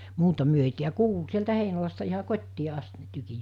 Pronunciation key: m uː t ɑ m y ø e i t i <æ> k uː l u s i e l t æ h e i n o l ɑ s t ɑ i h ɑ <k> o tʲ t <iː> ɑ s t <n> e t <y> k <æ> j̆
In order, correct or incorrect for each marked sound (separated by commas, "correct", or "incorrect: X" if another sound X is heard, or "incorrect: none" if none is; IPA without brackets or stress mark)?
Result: correct, correct, correct, correct, correct, incorrect: i